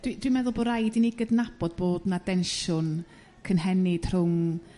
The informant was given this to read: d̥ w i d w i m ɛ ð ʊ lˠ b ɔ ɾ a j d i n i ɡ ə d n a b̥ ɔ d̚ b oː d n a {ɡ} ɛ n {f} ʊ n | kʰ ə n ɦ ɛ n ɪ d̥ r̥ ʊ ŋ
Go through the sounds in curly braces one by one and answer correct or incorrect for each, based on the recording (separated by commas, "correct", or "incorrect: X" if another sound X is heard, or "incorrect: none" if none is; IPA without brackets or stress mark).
incorrect: d, incorrect: ʃ